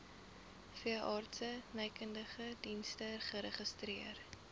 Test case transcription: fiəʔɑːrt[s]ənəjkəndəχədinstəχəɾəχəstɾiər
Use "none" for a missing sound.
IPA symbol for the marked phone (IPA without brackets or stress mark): s